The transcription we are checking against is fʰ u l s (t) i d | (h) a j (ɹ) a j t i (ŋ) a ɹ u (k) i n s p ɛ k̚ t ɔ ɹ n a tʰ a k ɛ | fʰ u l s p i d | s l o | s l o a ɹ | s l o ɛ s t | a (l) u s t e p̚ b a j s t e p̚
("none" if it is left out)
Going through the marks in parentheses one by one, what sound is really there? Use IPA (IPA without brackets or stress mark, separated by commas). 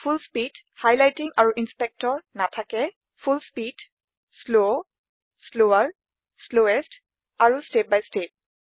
p, h, l, ŋ, ʔ, ɹ